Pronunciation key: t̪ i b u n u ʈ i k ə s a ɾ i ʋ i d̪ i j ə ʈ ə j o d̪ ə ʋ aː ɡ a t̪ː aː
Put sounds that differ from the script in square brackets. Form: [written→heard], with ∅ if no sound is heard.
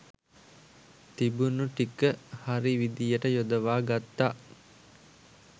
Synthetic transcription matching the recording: t̪ i b u n u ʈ i k ə [s→h] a ɾ i ʋ i d̪ i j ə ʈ ə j o d̪ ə ʋ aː ɡ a t̪ː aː